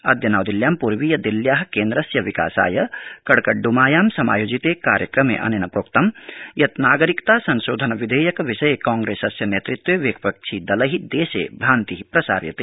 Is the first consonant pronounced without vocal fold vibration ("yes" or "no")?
no